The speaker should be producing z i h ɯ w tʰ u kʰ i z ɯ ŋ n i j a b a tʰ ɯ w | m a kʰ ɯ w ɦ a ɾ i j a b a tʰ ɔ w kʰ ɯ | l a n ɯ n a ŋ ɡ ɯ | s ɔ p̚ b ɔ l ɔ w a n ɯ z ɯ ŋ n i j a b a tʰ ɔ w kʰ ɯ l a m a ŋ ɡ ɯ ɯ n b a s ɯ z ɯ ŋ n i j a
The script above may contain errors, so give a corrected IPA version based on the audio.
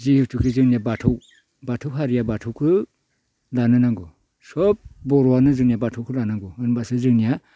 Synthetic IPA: z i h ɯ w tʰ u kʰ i z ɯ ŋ n i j a b a tʰ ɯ w | b a tʰ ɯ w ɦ a ɾ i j a b a tʰ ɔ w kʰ ɯ | l a n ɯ n a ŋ ɡ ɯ | s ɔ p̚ b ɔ ɾ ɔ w a n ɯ z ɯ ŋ n i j a b a tʰ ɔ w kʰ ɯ l a n a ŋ ɡ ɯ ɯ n b a s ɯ z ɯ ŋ n i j a